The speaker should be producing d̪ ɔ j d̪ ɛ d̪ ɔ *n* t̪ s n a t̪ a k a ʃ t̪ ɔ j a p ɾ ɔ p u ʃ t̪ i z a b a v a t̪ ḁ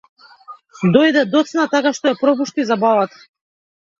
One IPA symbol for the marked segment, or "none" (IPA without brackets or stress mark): none